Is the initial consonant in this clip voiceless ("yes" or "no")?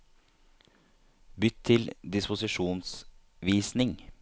no